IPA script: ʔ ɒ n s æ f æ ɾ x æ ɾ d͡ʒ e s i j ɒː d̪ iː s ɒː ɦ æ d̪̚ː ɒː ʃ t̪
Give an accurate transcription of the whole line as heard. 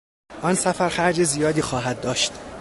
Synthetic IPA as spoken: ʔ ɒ n s æ f æ ɾ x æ ɾ d͡ʒ e z i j ɒː d̪ iː x ɒː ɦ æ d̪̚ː ɒː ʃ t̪